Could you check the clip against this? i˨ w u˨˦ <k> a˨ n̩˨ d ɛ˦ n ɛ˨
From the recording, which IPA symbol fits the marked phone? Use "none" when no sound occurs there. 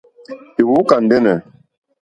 k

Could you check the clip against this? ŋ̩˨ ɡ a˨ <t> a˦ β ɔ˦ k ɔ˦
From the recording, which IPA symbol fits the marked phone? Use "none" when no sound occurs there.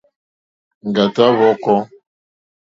t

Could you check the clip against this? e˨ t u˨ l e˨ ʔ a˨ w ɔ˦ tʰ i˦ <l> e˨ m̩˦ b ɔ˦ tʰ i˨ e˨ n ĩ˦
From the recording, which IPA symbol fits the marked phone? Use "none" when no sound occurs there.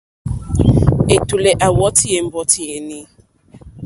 none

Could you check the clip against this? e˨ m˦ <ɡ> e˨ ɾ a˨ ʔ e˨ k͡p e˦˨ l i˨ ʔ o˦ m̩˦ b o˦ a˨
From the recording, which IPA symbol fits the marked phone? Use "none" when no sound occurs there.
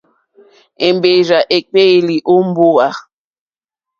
b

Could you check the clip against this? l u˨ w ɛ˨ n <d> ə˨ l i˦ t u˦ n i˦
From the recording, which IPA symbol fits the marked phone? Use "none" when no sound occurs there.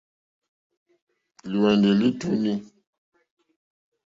d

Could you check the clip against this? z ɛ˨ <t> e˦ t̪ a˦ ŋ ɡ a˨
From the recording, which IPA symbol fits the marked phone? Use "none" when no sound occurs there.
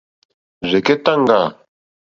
k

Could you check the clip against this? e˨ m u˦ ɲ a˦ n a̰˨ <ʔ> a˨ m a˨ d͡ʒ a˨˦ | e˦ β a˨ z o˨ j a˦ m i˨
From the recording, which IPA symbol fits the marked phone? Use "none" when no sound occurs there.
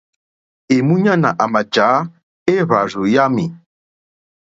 ʔ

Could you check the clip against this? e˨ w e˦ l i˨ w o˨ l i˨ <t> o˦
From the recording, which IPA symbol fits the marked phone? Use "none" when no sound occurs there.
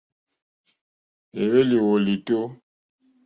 t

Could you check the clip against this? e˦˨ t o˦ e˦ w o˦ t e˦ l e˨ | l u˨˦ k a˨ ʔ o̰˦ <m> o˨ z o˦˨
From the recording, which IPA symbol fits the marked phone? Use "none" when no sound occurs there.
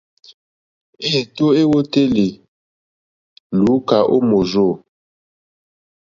m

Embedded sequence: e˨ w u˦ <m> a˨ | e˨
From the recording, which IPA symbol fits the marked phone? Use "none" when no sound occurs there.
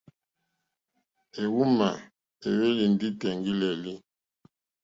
m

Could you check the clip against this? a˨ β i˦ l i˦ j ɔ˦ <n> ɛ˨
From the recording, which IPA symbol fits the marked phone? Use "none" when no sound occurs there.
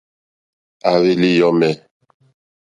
m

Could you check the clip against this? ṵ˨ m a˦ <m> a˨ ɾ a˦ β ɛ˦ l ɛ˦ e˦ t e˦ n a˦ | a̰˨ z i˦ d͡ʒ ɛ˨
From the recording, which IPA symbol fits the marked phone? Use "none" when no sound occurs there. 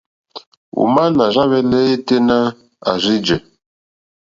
n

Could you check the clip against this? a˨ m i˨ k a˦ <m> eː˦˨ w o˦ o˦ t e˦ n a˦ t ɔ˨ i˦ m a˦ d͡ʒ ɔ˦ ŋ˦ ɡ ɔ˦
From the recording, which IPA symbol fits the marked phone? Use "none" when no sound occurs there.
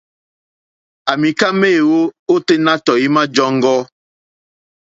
m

